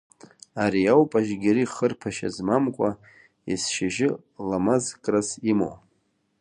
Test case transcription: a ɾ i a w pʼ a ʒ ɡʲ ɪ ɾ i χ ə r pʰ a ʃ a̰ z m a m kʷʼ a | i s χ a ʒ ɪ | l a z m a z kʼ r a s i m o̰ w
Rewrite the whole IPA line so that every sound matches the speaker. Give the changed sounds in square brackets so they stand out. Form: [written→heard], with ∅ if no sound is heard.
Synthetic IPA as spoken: a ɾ i a w pʼ a ʒ ɡʲ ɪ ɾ i χ ə r pʰ a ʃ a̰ z m a m kʷʼ a | i s [χ→ʃ] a ʒ ɪ | l a [z→∅] m a z kʼ r a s i m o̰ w